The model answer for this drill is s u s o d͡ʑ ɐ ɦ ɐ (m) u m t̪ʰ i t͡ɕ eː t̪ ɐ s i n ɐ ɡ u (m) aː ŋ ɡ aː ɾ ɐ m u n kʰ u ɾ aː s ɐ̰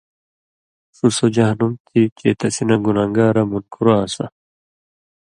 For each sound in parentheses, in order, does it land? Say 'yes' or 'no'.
no, no

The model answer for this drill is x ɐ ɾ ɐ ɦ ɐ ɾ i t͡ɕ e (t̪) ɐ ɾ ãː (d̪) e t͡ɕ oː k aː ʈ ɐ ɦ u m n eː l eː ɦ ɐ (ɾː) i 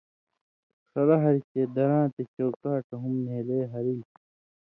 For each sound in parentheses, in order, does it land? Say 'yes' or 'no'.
no, no, no

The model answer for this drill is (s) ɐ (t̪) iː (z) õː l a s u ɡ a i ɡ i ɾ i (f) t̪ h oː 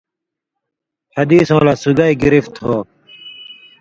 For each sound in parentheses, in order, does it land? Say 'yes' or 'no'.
no, no, no, yes

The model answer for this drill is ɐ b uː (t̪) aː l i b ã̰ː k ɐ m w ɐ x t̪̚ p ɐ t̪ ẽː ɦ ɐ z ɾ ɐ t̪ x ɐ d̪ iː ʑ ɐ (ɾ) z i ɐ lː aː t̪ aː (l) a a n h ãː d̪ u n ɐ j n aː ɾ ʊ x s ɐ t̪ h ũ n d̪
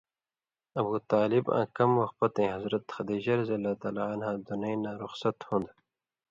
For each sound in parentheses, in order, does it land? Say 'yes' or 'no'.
yes, yes, yes

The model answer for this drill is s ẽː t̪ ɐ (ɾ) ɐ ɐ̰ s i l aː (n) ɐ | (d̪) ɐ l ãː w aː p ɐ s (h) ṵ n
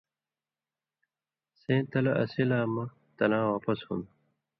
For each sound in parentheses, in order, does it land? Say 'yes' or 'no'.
no, no, no, yes

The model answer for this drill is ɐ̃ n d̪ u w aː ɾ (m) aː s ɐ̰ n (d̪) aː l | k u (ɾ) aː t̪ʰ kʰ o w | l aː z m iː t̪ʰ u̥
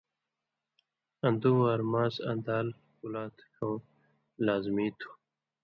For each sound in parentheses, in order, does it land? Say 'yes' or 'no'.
yes, yes, no

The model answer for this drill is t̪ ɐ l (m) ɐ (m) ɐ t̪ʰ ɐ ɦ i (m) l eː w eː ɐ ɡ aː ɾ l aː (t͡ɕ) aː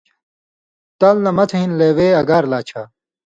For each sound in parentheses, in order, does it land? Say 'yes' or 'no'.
no, yes, no, no

